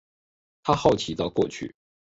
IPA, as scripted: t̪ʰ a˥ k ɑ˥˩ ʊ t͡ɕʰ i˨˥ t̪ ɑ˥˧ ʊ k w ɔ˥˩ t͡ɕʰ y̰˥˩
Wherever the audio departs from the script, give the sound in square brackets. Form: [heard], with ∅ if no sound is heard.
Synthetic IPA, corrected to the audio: t̪ʰ a˥ [x] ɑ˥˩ ʊ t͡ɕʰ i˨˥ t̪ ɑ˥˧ ʊ k w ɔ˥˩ t͡ɕʰ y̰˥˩